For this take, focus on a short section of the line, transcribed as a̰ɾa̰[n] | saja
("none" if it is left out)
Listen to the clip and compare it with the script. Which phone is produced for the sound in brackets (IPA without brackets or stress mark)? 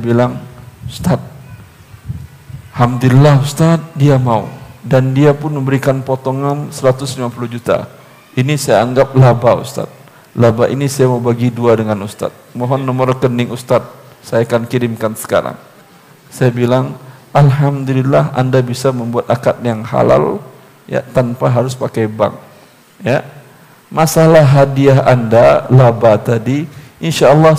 ŋ